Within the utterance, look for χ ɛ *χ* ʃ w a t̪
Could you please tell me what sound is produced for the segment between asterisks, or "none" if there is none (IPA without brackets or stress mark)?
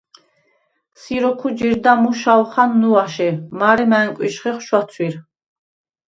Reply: χ